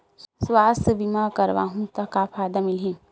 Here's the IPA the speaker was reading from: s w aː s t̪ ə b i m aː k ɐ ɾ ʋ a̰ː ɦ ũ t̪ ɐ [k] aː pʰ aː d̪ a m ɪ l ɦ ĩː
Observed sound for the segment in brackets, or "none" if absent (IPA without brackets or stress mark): k